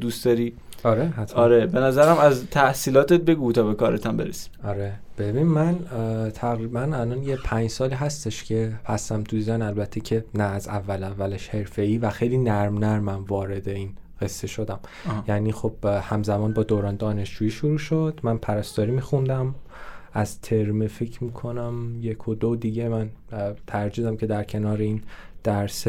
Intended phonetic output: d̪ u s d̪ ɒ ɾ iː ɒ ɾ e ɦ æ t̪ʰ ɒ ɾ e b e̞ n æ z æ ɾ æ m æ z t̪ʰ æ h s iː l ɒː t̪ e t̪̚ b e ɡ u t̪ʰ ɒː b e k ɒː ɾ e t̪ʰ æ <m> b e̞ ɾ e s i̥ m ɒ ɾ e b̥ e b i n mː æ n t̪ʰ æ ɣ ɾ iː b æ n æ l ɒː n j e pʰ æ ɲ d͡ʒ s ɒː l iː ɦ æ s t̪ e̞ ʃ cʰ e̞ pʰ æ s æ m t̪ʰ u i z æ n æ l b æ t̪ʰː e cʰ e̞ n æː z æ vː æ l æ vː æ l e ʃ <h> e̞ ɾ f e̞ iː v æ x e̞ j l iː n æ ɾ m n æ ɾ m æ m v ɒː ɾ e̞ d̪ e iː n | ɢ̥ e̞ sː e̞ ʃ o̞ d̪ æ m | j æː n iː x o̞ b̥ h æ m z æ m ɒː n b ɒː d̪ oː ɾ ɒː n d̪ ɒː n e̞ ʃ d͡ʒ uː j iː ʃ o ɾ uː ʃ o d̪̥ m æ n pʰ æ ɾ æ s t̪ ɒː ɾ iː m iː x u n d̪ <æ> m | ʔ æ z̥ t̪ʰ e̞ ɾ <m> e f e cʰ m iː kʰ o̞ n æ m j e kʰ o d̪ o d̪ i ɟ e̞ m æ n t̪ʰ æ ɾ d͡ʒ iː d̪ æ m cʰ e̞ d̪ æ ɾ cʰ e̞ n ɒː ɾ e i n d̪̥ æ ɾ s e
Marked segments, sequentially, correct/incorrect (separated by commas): correct, correct, correct, correct